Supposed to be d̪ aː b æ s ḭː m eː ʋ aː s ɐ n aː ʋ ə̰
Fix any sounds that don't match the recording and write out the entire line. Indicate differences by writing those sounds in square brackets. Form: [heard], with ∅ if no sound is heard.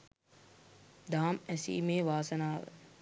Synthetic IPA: d̪ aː [m] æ s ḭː m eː ʋ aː s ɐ n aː ʋ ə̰